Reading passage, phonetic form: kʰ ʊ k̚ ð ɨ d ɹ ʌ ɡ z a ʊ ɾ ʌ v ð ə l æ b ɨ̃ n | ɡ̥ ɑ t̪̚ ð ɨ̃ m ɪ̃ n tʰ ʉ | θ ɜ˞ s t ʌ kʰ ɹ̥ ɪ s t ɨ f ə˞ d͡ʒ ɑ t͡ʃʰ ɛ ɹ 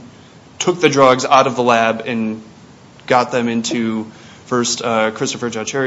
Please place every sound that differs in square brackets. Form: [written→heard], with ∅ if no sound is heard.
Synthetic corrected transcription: [kʰ→tʰ] ʊ k̚ ð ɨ d ɹ ʌ ɡ z a ʊ ɾ ʌ v ð ə l æ b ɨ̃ n | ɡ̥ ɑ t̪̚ ð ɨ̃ m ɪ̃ n tʰ ʉ | [θ→f] ɜ˞ s t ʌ kʰ ɹ̥ ɪ s t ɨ f ə˞ d͡ʒ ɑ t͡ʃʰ ɛ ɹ

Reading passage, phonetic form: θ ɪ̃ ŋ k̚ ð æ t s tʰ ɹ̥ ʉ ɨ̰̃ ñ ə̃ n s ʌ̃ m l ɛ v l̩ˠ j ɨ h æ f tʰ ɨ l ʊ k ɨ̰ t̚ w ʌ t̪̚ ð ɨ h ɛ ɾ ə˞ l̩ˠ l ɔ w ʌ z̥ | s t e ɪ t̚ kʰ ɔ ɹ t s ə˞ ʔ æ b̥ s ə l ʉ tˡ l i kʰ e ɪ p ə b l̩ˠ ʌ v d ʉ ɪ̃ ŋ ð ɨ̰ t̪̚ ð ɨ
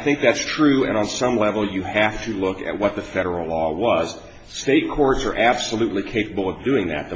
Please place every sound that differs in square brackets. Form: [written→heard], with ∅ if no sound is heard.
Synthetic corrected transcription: θ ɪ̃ ŋ k̚ ð æ t s tʰ ɹ̥ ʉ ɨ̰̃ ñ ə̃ n s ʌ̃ m l ɛ v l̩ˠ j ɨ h æ f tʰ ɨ l ʊ k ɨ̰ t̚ w ʌ t̪̚ ð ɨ [h→f] ɛ ɾ ə˞ l̩ˠ l ɔ w ʌ z̥ | s t e ɪ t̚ kʰ ɔ ɹ t s ə˞ ʔ æ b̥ s ə l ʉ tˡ l i kʰ e ɪ p ə b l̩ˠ ʌ v d ʉ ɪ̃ ŋ ð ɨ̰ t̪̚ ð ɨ

